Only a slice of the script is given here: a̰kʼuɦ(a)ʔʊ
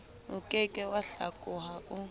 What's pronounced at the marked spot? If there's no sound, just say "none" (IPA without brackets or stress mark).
a